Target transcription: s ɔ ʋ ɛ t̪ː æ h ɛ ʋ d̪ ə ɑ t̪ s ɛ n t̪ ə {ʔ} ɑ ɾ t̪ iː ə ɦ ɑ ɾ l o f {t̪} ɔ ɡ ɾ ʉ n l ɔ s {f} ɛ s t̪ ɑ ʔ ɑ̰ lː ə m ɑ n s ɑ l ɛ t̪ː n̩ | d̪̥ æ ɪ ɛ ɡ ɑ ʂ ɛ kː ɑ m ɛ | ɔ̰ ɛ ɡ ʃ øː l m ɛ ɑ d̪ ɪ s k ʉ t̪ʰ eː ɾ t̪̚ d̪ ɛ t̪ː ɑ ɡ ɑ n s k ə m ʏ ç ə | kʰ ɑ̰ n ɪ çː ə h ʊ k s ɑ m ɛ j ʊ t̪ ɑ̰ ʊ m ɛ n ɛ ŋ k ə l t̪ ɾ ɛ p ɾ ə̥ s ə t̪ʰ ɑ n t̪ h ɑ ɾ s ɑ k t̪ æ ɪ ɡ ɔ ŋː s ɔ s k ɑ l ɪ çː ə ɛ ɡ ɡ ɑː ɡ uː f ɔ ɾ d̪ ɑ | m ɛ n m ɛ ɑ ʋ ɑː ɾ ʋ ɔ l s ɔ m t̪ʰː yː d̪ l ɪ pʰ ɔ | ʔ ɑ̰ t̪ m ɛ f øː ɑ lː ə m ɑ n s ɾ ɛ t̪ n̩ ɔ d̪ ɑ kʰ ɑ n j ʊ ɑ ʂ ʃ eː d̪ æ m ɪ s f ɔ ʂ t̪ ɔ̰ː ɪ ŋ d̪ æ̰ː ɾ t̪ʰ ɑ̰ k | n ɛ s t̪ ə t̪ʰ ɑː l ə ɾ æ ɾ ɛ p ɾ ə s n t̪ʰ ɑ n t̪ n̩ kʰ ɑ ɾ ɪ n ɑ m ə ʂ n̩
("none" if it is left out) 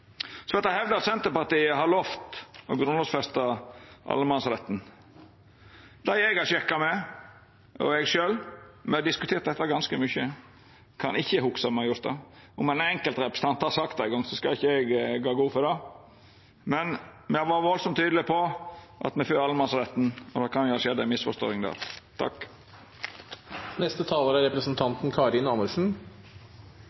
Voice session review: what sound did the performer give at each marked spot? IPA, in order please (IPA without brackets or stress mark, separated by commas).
p, t̪, f